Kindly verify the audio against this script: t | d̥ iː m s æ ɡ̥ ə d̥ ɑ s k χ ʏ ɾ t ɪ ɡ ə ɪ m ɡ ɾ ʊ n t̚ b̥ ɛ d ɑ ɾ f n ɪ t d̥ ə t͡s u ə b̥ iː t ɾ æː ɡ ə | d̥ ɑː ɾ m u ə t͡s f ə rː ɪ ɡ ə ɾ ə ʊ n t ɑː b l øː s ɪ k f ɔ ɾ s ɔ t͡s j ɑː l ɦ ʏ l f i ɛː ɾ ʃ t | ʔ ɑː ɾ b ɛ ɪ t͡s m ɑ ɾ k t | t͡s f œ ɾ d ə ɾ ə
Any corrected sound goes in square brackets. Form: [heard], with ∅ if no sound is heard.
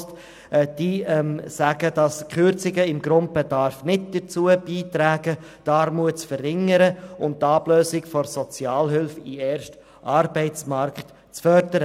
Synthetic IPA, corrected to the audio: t | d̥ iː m s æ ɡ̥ ə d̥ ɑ s k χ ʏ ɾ [t͡s] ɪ ɡ ə ɪ m ɡ ɾ ʊ n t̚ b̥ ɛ d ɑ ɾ f n ɪ t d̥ ə t͡s u ə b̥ iː t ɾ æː ɡ ə | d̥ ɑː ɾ m u ə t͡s f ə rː ɪ [ŋ] ə ɾ ə ʊ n t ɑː b l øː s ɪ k f ɔ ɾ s ɔ t͡s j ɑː l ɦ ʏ l f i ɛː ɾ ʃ t | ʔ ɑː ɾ b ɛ ɪ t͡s m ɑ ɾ k t | t͡s f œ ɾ d ə ɾ ə